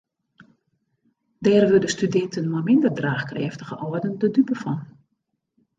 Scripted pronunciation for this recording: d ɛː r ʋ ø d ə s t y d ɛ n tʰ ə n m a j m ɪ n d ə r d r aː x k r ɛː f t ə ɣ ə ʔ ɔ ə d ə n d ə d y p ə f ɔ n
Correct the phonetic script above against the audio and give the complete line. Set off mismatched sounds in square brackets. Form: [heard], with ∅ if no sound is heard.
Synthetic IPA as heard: d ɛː r ʋ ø d ə s t y d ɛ n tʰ ə n m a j m ɪ n d ə r d r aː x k r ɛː f t ə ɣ ə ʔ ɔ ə d ə n d ə d y p ə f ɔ n